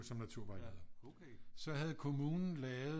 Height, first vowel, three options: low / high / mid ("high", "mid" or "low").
low